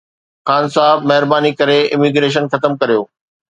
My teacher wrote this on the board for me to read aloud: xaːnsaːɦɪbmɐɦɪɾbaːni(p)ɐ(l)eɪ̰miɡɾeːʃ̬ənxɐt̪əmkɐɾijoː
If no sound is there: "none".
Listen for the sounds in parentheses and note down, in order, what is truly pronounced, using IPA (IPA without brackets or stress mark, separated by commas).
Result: k, ɾ